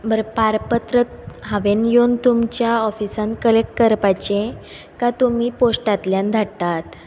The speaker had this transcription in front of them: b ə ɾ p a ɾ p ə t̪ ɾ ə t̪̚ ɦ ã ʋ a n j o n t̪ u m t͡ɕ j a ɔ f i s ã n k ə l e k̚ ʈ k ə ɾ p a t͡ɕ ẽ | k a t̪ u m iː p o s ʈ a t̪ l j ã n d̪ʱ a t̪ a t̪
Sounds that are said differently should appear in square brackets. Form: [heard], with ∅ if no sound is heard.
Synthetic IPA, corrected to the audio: b ə ɾ p a ɾ p ə t̪ ɾ ə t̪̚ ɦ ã ʋ [e] n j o n t̪ u m t͡ɕ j a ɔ f i s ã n k ə l e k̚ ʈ k ə ɾ p a t͡ɕ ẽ | k a t̪ u m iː p o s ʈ a t̪ l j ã n d̪ʱ a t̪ a t̪